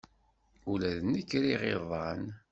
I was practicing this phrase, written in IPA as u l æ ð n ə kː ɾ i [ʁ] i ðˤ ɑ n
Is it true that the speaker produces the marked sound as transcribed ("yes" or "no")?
yes